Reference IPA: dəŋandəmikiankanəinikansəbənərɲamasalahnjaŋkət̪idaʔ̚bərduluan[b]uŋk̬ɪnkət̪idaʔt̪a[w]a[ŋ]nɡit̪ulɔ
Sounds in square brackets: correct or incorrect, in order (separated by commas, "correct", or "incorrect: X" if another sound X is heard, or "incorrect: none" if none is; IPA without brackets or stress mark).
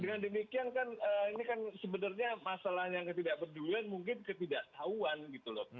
incorrect: m, incorrect: u, incorrect: none